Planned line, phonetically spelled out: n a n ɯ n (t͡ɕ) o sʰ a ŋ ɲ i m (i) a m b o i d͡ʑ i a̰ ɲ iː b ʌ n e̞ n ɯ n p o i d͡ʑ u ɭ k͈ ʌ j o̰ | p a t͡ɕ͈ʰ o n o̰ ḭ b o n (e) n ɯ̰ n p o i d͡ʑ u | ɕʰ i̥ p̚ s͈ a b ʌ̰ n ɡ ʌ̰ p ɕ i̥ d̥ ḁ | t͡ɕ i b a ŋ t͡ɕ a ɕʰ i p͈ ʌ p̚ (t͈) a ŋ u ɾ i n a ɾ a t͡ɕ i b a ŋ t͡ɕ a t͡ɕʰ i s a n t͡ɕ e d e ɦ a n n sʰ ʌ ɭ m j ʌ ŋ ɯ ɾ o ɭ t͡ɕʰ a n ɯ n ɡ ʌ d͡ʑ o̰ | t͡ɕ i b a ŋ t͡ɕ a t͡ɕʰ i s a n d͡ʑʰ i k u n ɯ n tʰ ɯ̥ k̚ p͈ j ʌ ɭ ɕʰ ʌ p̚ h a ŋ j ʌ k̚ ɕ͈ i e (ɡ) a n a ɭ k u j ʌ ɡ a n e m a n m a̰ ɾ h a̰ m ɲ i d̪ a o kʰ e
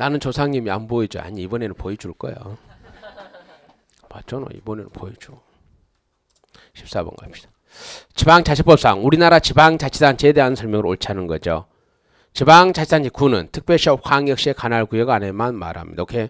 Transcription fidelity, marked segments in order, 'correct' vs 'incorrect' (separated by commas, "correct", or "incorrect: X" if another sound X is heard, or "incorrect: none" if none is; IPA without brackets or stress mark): correct, correct, correct, incorrect: s͈, incorrect: k